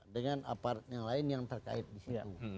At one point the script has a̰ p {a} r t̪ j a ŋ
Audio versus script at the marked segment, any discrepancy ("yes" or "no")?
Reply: no